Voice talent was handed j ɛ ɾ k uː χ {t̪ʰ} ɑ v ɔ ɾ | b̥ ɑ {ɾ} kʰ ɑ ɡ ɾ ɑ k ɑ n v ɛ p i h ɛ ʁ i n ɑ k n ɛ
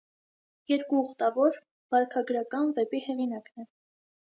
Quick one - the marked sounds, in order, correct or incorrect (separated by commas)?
incorrect, correct